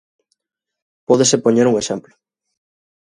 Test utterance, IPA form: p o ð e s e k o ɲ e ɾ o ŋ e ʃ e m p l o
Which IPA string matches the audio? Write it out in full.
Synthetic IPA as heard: p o ð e s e p o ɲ e ɾ u ŋ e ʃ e m p l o

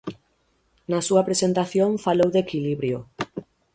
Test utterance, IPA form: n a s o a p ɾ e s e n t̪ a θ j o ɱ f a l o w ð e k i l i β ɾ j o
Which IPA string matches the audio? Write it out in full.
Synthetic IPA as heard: n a s u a p ɾ e s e n t̪ a θ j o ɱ f a l o w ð e k i l i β ɾ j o

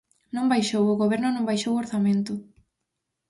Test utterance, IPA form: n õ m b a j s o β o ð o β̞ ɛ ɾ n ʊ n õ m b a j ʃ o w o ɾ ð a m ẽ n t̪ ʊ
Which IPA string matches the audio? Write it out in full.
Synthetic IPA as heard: n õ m b a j ʃ o w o ɣ o β̞ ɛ ɾ n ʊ n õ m b a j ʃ o w o ɾ θ a m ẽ n t̪ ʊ

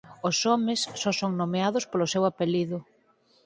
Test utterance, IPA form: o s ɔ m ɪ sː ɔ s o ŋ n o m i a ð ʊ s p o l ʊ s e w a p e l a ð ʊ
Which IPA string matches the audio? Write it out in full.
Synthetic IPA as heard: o s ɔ m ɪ sː ɔ s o ŋ n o m e a ð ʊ s p o l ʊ s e w a p e l i ð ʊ

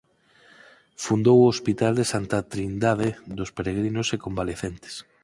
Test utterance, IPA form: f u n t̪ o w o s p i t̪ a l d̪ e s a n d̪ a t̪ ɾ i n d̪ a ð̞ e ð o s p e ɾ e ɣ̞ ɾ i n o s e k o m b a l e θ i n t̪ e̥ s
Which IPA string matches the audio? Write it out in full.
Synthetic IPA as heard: f u n d̪ o w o s p i t̪ a l d̪ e s a n t̪ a t̪ ɾ i n d̪ a ð̞ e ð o s p e ɾ e ɣ̞ ɾ i n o s e k o m b a l e θ e n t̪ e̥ s

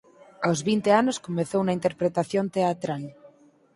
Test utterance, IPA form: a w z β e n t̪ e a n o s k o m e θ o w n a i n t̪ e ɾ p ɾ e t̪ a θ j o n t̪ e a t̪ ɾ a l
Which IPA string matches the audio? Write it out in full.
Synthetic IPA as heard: a w z β i n t̪ e a n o s k o m e θ o w n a i n t̪ e ɾ p ɾ e t̪ a θ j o n t̪ e a t̪ ɾ a l

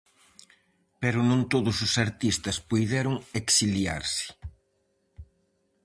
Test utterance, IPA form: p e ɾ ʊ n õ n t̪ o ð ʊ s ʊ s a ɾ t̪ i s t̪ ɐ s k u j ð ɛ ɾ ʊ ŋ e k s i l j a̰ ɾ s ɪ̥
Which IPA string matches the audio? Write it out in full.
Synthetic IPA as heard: p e ɾ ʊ n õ n t̪ o ð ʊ s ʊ s a ɾ t̪ i s t̪ ɐ s p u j ð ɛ ɾ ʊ ŋ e k s i l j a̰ ɾ s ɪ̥

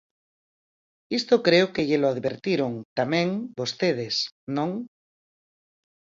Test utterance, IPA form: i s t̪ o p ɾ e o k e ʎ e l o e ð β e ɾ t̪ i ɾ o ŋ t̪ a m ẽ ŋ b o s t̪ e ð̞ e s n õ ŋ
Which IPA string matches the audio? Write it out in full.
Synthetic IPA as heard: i s t̪ o k ɾ e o k e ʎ e l o a ð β e ɾ t̪ i ɾ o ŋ t̪ a m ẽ ŋ b o s t̪ e ð̞ e s n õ ŋ

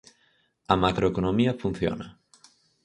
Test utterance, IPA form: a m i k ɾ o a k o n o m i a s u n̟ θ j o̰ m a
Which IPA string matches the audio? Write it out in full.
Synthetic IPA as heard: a m a k ɾ o e k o n o m i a f u n̟ θ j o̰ n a

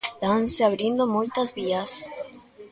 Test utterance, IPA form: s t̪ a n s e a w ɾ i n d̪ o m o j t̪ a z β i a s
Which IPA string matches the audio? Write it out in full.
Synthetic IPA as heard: s t̪ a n s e a β ɾ i n d̪ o m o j t̪ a z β i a s

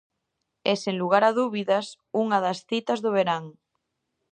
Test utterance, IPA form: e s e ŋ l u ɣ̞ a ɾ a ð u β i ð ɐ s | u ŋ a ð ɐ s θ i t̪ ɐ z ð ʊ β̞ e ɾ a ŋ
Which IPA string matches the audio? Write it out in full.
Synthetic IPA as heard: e s e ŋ l u ɣ̞ a ɾ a ð u β i ð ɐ s | u ŋ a ð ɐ s θ i t̪ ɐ z ð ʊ β̞ e ɾ a ŋ

